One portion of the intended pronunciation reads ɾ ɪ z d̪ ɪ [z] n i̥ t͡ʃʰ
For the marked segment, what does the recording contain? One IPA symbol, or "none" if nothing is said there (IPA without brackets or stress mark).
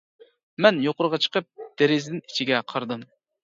none